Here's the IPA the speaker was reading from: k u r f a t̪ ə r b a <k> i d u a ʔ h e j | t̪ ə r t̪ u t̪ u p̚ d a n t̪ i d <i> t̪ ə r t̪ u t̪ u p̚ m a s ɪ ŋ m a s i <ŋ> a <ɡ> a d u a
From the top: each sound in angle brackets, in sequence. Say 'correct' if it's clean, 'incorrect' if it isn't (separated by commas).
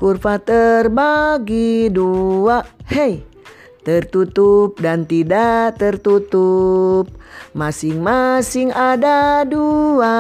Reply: incorrect, incorrect, correct, incorrect